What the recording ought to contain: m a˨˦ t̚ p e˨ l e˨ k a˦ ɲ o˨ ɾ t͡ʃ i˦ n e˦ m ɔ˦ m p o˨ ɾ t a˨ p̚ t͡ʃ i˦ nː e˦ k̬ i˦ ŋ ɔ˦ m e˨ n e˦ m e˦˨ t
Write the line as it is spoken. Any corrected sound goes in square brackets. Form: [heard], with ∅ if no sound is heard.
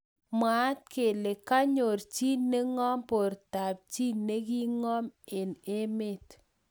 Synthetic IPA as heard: m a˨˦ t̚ [k] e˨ l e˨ k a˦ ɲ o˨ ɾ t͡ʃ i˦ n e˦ [ŋ] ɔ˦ m p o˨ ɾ t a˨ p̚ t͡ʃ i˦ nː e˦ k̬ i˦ ŋ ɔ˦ m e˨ n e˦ m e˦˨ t